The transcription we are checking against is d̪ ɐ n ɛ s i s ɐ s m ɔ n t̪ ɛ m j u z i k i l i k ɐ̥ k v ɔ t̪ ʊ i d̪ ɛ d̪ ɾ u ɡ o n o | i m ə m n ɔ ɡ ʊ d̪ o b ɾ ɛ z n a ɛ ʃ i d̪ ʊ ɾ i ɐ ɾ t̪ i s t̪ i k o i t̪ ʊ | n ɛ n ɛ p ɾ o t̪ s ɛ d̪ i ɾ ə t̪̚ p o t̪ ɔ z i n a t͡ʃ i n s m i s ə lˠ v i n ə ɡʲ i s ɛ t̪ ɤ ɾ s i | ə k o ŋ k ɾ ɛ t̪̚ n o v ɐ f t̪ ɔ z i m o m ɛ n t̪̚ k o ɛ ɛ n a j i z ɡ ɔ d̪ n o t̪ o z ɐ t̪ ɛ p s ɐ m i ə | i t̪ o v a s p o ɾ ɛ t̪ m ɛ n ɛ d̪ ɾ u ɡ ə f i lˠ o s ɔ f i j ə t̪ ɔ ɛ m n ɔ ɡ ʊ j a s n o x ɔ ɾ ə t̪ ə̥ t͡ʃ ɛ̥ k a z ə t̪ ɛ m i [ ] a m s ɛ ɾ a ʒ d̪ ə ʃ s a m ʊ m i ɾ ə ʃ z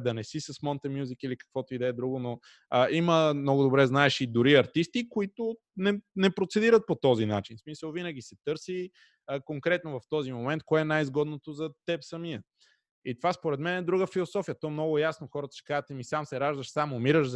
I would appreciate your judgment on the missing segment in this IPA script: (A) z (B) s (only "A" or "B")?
B